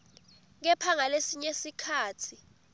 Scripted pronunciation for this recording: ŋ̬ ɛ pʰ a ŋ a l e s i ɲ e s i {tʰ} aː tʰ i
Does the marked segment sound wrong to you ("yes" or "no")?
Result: yes